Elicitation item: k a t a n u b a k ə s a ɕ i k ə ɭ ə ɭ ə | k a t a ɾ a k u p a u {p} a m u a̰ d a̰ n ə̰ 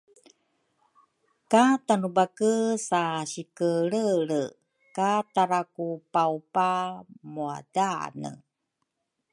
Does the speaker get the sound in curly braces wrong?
no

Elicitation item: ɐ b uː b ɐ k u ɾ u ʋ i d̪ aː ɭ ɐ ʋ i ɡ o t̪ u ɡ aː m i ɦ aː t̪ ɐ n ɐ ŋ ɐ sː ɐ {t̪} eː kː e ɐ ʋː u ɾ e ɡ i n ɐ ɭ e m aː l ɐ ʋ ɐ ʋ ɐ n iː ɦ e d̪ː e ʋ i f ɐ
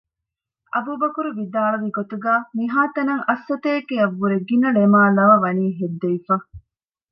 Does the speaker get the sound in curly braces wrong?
no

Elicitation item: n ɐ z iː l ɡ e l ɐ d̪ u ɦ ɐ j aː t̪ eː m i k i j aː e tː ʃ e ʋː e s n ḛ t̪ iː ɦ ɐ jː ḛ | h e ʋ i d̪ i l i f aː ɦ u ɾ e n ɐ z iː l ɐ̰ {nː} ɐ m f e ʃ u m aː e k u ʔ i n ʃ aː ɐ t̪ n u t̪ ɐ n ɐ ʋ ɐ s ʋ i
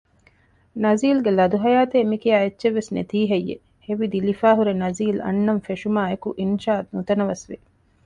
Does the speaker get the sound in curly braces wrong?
no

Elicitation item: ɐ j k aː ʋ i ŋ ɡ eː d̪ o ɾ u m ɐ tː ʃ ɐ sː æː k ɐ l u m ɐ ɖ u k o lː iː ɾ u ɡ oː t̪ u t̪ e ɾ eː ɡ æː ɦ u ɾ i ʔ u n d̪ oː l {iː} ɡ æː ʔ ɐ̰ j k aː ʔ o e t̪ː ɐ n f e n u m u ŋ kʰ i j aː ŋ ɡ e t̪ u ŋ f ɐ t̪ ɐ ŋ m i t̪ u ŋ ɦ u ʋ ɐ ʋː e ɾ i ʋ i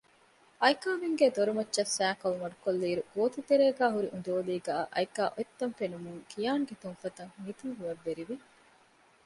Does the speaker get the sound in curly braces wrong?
no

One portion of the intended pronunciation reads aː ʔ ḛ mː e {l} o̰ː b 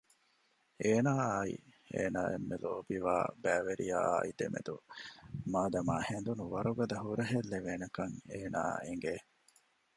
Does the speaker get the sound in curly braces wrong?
no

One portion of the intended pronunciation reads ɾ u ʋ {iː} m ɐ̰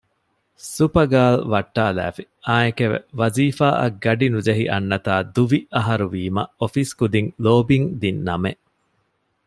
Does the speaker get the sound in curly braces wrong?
no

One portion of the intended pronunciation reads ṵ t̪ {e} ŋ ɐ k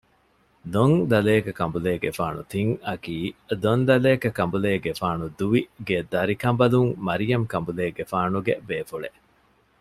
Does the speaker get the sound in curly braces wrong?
yes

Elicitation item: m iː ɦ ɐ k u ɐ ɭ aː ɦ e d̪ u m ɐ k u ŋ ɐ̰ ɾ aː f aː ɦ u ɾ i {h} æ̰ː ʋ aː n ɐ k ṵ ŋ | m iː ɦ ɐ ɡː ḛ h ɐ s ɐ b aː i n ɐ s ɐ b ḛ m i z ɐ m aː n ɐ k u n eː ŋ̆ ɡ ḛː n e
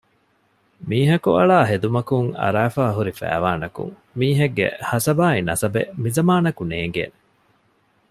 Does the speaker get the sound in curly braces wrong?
yes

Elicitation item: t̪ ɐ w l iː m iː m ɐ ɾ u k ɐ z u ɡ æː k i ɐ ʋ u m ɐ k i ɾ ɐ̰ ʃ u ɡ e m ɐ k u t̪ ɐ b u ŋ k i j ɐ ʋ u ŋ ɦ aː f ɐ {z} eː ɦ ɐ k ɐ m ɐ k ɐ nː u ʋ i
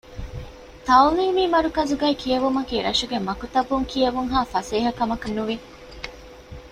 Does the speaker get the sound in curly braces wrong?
yes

